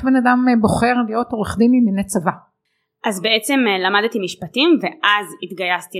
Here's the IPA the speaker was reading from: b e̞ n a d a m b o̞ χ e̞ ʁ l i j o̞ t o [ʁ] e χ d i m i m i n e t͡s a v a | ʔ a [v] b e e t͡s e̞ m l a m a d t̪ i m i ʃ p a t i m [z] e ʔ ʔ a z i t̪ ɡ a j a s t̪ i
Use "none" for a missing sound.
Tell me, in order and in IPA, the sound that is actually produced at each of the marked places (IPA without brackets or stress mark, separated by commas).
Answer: ʁ, z, v